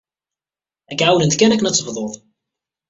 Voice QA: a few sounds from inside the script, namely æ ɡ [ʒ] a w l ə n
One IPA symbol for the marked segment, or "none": ʕ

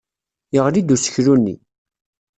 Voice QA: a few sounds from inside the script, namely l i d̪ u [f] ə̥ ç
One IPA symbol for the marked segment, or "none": s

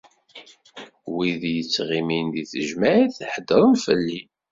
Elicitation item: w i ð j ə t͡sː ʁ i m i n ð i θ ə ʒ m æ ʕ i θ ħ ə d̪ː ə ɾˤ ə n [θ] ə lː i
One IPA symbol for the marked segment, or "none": f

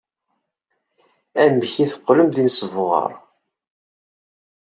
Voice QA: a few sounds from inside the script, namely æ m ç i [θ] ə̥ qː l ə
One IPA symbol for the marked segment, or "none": θ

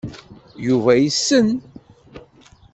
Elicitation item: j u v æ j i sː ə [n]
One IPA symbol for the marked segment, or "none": n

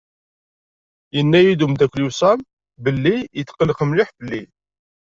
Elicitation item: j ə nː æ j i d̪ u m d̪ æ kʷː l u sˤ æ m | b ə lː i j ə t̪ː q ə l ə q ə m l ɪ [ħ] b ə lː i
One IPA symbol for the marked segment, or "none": ħ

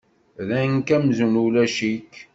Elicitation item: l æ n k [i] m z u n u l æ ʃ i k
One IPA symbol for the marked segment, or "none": æ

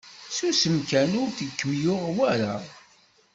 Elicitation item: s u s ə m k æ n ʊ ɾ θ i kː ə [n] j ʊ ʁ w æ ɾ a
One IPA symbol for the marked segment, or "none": m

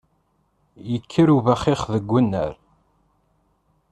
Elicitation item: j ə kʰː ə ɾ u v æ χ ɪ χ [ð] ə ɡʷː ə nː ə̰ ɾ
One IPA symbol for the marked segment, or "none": ð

